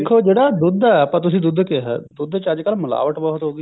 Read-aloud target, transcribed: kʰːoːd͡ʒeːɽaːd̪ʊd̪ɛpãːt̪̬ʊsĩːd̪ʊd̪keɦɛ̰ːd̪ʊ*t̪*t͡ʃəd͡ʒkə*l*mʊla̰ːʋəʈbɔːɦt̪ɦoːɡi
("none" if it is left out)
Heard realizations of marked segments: d̪, l

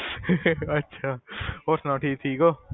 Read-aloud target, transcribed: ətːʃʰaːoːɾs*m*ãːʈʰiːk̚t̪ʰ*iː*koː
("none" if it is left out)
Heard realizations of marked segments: n, iː

